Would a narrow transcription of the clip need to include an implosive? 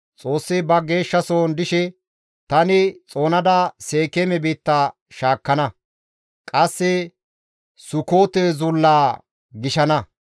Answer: no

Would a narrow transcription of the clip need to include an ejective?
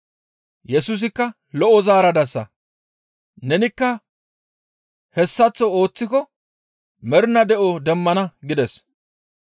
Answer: no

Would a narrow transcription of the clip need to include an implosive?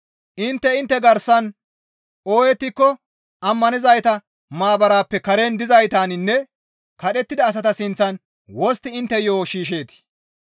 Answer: yes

